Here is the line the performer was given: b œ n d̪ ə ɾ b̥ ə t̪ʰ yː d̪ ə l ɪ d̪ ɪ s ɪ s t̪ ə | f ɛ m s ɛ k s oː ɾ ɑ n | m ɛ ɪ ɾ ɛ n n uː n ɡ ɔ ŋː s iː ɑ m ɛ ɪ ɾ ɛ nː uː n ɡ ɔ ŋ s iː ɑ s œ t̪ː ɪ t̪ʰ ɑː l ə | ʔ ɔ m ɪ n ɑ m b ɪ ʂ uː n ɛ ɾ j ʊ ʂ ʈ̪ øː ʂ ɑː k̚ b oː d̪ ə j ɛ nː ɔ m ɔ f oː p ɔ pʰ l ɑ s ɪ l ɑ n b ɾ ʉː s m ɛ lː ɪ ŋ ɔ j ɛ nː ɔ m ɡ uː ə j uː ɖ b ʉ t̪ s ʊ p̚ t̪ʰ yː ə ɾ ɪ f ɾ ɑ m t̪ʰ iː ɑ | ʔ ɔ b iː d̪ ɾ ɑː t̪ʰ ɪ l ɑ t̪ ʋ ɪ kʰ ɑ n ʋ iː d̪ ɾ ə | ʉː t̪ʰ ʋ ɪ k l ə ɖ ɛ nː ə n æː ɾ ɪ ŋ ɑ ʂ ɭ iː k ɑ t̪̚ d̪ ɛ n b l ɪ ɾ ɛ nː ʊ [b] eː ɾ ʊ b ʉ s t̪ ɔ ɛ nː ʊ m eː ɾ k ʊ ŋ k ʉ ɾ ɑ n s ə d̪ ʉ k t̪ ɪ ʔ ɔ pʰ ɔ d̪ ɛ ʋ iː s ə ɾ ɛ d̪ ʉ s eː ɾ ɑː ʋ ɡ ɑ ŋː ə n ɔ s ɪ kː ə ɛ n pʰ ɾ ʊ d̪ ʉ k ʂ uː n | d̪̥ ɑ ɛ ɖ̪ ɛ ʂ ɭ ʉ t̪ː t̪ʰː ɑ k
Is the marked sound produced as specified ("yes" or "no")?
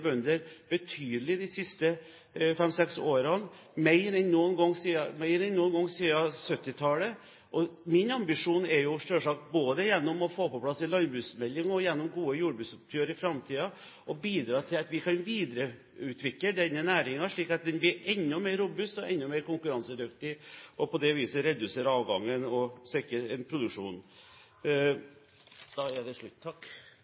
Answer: no